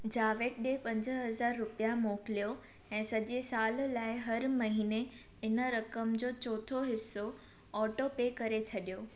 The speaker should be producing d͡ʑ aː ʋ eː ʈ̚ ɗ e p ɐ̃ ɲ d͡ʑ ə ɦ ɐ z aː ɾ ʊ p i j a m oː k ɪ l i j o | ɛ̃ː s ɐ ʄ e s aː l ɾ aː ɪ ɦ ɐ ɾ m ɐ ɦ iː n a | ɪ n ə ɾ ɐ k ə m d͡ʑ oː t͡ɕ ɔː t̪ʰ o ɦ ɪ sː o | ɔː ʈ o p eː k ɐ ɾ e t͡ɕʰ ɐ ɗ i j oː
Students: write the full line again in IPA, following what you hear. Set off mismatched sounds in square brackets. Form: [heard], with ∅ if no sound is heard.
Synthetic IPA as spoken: d͡ʑ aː ʋ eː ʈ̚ ɗ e p ɐ̃ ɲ d͡ʑ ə ɦ ɐ z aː [ɾː] ʊ p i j a m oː k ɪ l i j o | ɛ̃ː s ɐ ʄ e s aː l [l] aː ɪ ɦ ɐ ɾ m ɐ ɦ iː n [e] | ɪ n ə ɾ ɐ k ə m d͡ʑ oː t͡ɕ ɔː t̪ʰ o ɦ ɪ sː o | ɔː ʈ o p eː k ɐ ɾ e t͡ɕʰ ɐ ɗ i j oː